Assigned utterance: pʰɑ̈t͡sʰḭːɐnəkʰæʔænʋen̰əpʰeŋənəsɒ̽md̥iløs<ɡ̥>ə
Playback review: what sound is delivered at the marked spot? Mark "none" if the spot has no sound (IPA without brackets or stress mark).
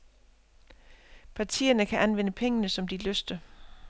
d̥